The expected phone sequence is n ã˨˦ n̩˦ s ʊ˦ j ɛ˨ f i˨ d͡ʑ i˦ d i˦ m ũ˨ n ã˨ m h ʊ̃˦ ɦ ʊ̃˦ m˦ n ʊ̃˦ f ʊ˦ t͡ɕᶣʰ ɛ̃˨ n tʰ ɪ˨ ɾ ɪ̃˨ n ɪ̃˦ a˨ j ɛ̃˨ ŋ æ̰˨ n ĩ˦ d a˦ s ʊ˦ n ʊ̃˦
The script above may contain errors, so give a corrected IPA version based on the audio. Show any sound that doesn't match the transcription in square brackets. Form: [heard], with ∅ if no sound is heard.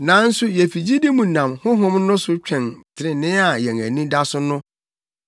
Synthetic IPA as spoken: n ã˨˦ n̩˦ s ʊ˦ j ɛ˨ f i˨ d͡ʑ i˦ d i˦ m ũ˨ n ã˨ m h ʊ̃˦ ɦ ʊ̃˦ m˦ n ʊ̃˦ [s] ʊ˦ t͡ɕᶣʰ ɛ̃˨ n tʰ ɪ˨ ɾ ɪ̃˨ n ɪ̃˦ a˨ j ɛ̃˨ ŋ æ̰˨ n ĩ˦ d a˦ s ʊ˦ n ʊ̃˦